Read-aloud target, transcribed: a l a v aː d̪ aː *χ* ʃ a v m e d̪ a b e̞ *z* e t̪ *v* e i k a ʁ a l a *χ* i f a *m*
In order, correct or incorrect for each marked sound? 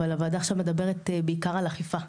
correct, incorrect: ʁ, incorrect: b, correct, incorrect: none

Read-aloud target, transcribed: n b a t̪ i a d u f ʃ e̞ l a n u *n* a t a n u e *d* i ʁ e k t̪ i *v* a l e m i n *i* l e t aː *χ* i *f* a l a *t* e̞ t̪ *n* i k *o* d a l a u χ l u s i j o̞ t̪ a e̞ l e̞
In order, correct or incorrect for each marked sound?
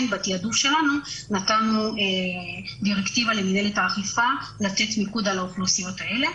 correct, correct, correct, incorrect: e, correct, correct, correct, incorrect: m, incorrect: u

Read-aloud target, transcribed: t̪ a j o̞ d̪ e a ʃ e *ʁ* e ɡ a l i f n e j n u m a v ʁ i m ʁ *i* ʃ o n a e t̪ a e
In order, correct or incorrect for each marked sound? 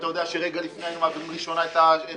correct, correct

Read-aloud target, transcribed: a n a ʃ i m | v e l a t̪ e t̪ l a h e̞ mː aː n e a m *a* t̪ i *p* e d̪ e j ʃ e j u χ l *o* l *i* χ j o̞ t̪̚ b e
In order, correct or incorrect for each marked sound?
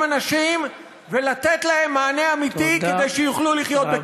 incorrect: i, incorrect: k, incorrect: u, correct

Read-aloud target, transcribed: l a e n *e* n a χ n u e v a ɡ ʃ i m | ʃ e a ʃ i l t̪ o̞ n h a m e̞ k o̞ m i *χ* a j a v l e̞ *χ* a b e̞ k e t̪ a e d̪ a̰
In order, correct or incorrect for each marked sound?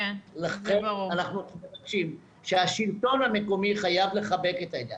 incorrect: a, correct, correct

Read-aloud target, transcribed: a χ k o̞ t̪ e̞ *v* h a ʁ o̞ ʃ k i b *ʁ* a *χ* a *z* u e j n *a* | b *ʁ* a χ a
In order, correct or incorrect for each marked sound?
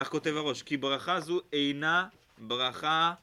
correct, correct, correct, correct, correct, correct

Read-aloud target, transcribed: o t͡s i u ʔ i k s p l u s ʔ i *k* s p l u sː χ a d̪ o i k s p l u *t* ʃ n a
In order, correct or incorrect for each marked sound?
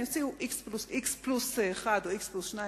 correct, incorrect: s

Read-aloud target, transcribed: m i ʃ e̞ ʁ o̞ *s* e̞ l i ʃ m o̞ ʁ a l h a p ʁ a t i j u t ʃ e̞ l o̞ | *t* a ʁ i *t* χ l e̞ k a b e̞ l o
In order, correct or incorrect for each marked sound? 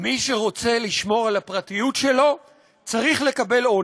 incorrect: t͡s, incorrect: t͡s, incorrect: none

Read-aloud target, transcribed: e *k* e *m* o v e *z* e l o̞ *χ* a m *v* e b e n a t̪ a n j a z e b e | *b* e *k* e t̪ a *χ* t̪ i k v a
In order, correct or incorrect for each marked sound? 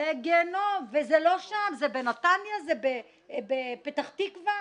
incorrect: ɡ, incorrect: n, correct, incorrect: ʃ, incorrect: z, correct, incorrect: p, correct

